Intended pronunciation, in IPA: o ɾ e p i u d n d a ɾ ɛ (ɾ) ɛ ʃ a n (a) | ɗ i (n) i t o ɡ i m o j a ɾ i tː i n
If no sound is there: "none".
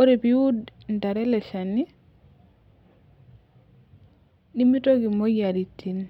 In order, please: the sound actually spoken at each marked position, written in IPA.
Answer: l, i, m

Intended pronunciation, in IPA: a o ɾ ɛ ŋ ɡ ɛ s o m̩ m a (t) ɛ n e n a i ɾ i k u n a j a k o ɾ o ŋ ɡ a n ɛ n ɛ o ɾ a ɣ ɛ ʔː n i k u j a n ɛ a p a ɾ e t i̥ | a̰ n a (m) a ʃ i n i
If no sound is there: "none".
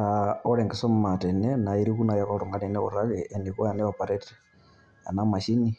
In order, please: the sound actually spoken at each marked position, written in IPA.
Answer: t, m

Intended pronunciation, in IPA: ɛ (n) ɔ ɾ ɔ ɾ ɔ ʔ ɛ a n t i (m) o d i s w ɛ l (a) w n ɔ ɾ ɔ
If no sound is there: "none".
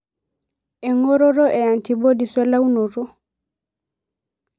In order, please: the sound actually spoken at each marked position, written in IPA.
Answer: ŋ, b, a

